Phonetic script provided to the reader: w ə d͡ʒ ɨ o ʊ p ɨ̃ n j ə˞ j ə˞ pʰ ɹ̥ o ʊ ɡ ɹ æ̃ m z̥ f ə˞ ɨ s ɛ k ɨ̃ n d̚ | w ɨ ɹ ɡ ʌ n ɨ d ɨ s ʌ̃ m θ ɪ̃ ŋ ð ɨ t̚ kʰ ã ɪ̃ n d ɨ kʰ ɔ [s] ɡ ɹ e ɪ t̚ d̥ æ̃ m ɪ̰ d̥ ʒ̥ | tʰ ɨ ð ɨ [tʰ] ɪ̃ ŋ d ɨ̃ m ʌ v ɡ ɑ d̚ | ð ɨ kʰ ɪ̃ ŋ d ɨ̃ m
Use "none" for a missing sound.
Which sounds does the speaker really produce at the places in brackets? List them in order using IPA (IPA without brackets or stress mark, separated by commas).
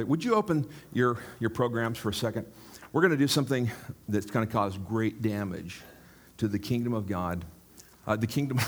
z, kʰ